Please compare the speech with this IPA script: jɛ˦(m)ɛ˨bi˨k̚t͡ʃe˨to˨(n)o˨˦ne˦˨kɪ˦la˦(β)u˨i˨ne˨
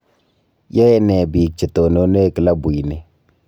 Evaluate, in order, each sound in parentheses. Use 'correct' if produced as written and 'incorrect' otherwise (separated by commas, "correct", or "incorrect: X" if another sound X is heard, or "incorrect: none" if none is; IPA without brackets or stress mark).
incorrect: n, correct, incorrect: b